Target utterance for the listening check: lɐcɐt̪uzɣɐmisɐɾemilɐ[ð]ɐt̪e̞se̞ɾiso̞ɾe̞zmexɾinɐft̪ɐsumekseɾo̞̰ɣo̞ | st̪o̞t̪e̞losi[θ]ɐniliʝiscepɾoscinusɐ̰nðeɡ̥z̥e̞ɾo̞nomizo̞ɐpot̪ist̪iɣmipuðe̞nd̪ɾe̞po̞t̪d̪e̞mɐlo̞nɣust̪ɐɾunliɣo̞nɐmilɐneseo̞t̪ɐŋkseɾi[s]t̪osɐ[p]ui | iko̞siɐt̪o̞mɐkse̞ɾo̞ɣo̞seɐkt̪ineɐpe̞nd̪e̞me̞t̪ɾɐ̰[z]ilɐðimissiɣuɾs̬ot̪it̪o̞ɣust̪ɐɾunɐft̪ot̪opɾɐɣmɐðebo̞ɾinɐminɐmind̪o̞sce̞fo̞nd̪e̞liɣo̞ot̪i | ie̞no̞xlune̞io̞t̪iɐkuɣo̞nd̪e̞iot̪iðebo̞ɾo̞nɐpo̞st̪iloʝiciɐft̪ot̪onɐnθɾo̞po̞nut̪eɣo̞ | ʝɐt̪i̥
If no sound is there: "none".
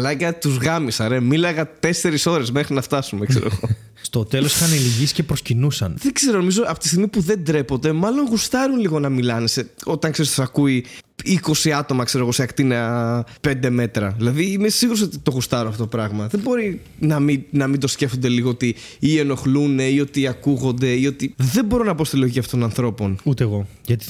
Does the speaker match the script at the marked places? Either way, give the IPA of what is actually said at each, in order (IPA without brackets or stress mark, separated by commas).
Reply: ɣ, x, s, k, ð